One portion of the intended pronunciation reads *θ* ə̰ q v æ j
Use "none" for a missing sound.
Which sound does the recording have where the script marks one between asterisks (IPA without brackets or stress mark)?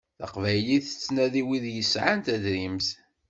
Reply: θ